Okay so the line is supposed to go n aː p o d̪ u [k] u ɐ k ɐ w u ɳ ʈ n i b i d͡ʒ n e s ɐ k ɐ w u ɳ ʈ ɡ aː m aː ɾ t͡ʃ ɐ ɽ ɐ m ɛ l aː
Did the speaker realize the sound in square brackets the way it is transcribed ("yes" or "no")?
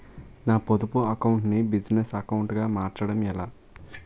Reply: no